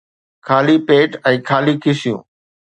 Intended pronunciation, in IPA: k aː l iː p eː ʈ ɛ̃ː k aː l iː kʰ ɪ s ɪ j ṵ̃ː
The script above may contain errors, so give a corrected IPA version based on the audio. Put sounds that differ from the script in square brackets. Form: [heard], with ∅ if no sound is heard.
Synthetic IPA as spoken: [kʰ] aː l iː p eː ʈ ɛ̃ː [kʰ] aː l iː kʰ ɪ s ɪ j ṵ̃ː